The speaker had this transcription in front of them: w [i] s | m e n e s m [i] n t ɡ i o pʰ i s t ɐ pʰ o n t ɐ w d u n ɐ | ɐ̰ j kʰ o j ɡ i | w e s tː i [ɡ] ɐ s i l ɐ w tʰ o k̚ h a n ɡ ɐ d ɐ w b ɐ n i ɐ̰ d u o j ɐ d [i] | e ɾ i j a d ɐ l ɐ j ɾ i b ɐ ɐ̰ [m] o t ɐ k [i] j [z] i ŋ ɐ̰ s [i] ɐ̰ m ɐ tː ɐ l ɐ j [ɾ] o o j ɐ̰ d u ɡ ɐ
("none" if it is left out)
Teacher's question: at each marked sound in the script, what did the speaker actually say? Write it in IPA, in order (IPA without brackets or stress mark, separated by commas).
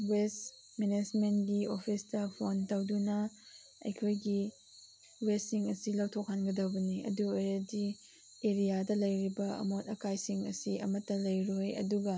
e, e, ŋ, i, m, a, s, i, ɾ